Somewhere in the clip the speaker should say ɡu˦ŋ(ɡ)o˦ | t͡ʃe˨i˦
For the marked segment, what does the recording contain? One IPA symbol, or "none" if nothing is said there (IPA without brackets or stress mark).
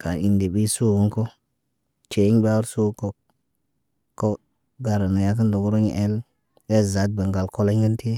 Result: k